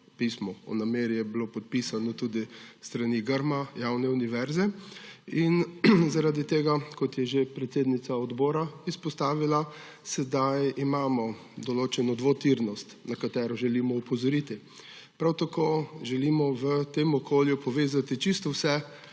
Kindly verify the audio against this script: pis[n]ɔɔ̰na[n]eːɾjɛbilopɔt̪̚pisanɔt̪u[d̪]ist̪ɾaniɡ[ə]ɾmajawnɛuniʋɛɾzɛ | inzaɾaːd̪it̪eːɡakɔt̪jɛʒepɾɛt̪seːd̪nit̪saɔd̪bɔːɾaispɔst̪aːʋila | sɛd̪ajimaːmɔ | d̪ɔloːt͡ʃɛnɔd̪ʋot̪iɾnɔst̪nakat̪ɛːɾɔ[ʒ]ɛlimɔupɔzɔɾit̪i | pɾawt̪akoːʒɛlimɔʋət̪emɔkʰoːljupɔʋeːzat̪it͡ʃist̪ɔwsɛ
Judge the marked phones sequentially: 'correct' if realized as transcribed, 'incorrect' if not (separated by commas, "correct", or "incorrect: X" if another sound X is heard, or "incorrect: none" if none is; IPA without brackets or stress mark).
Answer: incorrect: m, incorrect: m, correct, correct, correct